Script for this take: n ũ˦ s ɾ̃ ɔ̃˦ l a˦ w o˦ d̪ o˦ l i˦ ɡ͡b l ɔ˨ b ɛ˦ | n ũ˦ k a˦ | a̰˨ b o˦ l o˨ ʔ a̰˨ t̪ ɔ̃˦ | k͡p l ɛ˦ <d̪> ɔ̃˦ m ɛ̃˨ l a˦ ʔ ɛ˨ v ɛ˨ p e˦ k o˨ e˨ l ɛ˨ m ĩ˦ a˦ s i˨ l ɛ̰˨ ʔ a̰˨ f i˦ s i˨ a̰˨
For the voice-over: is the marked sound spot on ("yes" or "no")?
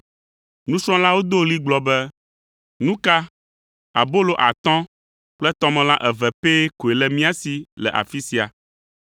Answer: no